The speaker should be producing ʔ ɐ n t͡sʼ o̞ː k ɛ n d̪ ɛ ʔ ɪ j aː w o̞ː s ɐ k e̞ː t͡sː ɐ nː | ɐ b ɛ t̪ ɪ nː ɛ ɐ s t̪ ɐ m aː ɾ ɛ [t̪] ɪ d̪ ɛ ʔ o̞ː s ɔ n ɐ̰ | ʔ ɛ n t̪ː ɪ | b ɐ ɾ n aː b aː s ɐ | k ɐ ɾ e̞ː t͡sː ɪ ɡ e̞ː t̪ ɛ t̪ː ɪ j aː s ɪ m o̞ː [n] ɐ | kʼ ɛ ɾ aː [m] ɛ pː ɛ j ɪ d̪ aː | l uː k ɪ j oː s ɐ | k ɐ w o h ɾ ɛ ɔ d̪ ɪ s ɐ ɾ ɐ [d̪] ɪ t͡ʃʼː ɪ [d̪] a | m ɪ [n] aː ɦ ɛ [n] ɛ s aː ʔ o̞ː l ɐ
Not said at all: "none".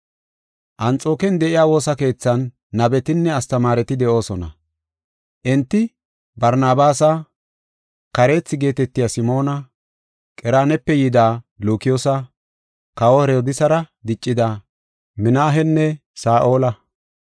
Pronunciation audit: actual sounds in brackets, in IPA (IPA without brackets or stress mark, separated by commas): t̪, n, n, d̪, d̪, n, nː